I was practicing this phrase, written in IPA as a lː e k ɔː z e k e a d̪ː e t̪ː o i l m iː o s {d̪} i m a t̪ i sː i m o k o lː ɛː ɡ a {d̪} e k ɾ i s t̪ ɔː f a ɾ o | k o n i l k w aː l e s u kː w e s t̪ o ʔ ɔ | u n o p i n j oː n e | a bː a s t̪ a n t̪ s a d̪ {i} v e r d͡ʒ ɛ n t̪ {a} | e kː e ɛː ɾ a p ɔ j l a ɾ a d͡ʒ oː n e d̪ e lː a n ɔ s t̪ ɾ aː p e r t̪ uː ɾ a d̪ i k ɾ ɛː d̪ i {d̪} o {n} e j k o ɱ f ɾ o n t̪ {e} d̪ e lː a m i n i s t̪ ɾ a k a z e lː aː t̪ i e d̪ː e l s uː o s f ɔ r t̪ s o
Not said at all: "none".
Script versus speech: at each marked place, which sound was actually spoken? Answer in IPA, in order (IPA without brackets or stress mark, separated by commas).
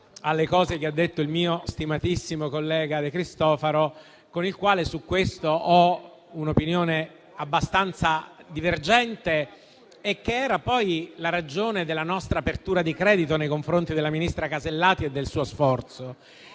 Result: t̪, d̪, i, e, t̪, n, i